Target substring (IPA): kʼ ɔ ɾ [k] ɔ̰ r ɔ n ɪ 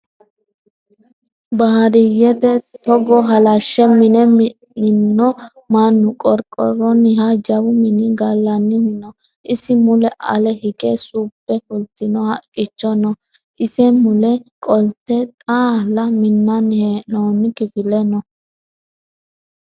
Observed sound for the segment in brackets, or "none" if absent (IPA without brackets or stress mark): kʼ